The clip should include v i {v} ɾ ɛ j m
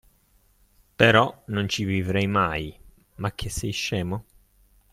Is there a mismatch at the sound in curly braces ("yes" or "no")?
no